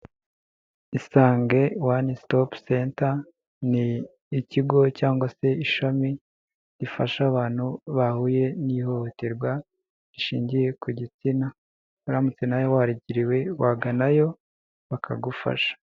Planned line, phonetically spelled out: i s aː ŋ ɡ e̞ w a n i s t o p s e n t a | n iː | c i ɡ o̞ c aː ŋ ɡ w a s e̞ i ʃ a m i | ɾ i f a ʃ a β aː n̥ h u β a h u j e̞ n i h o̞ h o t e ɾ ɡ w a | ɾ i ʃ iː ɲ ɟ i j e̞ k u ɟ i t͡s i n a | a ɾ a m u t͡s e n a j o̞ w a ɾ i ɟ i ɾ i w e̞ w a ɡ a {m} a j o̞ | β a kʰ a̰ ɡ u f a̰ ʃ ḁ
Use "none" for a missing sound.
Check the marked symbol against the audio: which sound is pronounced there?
n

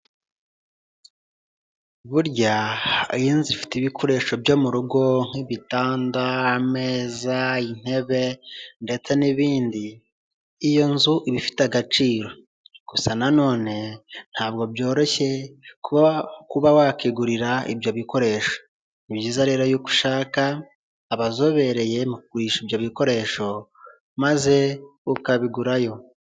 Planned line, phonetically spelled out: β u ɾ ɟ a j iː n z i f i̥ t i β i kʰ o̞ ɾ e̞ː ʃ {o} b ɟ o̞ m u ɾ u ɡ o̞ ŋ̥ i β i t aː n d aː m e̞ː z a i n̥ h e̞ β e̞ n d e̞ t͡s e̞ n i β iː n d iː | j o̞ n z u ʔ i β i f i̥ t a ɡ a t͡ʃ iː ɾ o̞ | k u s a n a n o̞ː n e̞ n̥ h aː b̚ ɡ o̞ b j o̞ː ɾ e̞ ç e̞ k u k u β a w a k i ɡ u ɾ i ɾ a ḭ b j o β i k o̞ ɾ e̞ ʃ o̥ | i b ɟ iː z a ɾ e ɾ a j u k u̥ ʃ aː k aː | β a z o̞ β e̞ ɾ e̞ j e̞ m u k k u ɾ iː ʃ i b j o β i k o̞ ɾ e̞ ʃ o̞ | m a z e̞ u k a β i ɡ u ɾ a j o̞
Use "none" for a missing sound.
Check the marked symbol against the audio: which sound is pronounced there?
o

